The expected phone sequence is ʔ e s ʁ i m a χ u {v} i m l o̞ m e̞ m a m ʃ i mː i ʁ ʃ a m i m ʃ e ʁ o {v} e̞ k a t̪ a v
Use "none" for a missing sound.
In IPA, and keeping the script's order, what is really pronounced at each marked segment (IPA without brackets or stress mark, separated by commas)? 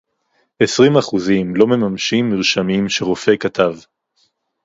z, f